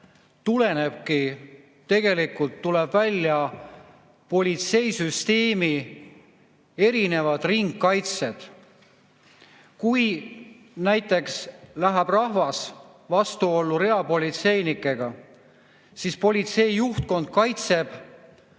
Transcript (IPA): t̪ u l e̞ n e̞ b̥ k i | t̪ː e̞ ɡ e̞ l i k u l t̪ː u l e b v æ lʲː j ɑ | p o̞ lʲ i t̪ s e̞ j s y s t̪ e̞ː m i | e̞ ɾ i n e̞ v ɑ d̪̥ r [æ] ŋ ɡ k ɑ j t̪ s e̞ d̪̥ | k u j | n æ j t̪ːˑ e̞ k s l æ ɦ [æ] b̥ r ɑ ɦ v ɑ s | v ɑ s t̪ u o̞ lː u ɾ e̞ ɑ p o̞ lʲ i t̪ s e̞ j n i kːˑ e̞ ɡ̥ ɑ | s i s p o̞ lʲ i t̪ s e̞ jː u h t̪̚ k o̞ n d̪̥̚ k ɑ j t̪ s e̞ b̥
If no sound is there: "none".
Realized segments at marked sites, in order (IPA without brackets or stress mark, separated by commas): i, æ